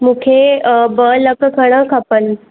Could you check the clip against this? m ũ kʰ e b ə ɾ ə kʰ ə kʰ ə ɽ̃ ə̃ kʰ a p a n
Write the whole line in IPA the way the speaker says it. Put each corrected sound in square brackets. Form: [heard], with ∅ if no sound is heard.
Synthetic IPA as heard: m [u] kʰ e b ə [l] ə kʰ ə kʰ ə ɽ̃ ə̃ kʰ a p [ə] n